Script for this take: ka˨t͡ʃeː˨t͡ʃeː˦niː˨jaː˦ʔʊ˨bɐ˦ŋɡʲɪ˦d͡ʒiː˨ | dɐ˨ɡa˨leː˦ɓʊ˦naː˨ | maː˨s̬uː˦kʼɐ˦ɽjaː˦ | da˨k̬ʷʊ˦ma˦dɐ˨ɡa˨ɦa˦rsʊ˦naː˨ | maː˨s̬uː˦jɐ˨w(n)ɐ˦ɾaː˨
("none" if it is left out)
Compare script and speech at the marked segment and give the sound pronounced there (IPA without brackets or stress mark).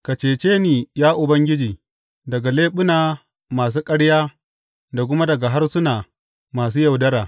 d